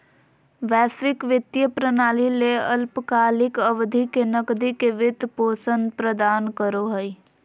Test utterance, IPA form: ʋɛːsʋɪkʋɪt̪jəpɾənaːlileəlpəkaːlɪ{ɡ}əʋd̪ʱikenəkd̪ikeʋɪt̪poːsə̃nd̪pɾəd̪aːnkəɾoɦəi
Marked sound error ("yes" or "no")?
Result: yes